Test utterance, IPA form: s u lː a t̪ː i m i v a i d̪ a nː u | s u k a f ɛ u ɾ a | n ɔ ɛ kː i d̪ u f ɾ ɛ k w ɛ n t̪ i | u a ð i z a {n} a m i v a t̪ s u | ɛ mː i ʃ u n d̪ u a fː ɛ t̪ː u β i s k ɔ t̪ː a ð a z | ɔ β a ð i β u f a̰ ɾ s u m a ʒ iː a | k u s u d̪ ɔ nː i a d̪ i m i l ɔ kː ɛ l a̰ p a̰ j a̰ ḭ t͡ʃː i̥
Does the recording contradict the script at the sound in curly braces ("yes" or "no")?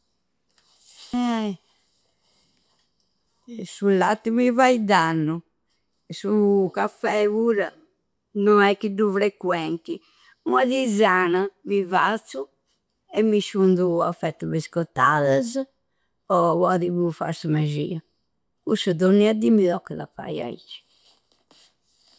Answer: no